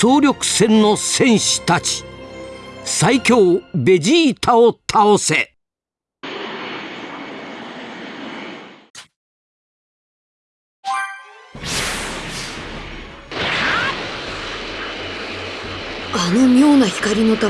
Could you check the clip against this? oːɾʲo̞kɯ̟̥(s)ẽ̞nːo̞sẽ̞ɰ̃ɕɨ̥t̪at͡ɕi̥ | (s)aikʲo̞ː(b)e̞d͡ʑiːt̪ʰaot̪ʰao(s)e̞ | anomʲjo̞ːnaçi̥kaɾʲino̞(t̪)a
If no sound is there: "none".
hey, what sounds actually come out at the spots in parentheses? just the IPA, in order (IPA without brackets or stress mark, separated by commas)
s, s, b, s, t̪